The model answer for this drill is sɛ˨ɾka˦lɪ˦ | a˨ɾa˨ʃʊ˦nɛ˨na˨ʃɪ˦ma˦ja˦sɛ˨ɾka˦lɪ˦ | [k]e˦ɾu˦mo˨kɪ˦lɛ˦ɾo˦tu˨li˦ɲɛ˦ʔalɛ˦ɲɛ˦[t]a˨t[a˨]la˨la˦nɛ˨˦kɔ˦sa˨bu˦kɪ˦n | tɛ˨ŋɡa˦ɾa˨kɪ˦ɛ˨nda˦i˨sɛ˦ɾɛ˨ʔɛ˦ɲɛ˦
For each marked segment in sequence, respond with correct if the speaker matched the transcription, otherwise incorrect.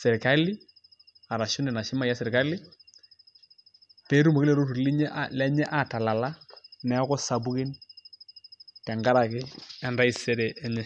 incorrect, incorrect, correct

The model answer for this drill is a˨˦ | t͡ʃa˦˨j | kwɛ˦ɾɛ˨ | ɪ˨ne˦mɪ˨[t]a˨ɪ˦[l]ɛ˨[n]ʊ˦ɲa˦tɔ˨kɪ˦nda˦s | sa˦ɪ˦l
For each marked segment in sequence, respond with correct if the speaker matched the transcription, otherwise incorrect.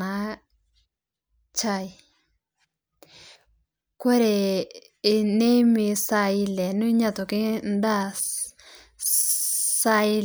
incorrect, correct, correct

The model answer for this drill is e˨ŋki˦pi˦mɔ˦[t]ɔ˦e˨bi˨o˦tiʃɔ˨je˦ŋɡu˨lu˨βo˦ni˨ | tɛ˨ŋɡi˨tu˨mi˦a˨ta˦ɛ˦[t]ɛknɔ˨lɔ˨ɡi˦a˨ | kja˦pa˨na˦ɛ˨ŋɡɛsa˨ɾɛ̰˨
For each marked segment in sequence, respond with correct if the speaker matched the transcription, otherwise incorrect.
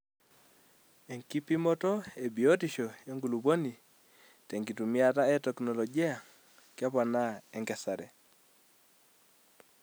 correct, correct

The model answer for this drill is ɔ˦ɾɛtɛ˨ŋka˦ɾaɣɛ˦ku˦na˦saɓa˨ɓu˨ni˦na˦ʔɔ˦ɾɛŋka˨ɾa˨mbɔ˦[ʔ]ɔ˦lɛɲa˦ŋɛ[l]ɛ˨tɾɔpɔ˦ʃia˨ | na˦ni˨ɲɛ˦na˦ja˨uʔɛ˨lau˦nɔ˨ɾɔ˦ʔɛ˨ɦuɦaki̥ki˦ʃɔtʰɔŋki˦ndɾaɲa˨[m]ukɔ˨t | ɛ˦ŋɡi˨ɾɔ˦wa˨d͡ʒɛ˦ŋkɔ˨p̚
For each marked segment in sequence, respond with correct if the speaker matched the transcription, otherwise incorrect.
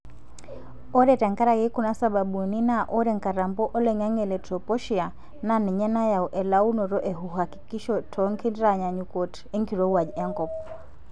correct, correct, incorrect

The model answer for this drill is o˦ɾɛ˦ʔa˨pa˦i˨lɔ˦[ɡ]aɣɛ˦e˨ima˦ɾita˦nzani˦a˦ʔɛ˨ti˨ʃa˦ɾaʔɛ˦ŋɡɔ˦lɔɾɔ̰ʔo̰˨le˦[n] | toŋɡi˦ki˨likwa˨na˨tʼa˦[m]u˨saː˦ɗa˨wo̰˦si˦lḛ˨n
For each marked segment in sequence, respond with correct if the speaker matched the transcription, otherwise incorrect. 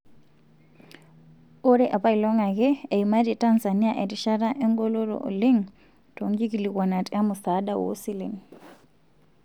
incorrect, incorrect, correct

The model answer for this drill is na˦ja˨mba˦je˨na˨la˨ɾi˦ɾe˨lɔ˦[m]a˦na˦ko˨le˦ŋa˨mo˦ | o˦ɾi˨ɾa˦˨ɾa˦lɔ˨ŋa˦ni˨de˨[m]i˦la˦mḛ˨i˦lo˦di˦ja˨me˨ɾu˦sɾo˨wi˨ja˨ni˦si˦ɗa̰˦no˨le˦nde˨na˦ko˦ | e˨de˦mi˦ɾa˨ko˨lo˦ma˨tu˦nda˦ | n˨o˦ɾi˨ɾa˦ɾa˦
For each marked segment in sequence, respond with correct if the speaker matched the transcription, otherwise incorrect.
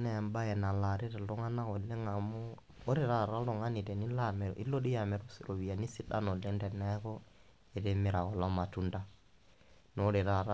incorrect, incorrect

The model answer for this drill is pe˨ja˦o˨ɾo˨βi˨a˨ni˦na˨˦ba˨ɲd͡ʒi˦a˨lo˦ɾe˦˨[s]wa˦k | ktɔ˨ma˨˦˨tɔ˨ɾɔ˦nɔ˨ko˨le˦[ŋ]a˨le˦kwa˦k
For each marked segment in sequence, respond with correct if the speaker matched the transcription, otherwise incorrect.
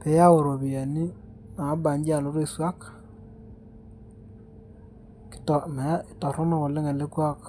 correct, correct

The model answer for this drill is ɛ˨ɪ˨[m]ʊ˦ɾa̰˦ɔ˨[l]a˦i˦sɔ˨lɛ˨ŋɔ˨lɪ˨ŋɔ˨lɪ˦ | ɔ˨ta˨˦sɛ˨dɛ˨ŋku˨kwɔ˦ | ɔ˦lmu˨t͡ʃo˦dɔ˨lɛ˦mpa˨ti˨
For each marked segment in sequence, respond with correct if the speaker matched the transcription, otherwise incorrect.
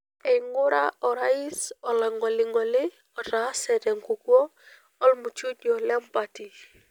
incorrect, incorrect

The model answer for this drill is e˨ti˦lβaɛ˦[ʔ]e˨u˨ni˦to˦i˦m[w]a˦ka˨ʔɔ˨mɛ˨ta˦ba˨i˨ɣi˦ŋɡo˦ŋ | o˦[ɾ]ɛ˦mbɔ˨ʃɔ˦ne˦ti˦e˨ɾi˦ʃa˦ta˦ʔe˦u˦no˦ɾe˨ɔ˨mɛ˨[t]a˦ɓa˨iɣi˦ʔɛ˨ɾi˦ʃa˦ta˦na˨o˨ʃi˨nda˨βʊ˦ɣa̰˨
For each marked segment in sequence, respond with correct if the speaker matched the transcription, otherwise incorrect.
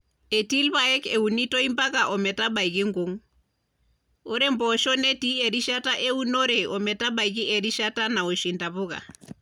incorrect, incorrect, correct, correct

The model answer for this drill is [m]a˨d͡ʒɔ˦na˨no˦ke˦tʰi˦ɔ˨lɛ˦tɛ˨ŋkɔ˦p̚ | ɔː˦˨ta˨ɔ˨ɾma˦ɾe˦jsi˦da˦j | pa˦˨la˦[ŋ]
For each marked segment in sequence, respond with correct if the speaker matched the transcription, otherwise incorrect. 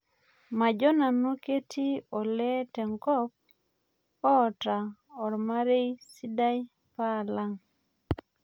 correct, correct

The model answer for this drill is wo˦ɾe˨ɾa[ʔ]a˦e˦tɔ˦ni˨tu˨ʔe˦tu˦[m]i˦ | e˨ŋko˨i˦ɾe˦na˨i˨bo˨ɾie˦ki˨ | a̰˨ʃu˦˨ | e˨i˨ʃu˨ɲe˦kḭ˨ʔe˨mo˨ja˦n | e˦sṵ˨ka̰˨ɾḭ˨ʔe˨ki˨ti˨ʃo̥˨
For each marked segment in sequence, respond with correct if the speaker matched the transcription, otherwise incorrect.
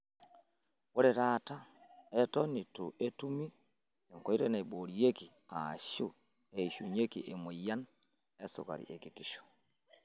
incorrect, correct

